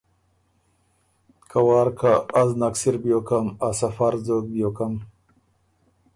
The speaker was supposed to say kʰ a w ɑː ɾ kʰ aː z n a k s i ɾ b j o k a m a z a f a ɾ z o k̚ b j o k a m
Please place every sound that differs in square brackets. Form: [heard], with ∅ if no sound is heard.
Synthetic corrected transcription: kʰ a w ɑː ɾ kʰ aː z n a k s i ɾ b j o k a m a [s] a f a ɾ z o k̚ b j o k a m